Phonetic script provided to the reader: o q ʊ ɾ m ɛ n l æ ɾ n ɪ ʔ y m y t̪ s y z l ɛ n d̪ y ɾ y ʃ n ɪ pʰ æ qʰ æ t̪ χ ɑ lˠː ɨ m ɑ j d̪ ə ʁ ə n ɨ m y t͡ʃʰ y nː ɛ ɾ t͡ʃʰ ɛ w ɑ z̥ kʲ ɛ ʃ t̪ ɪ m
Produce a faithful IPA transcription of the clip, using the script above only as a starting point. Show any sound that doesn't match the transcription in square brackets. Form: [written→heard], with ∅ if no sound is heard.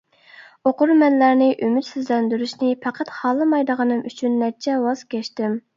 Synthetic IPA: o q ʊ ɾ m ɛ n l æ ɾ n ɪ ʔ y m y t̪ s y z l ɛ n d̪ y ɾ y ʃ n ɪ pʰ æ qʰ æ t̪ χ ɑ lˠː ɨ m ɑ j d̪ ə ʁ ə n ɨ m y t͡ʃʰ y nː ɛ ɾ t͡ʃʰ ɛ w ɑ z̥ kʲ ɛ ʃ t̪ ɪ m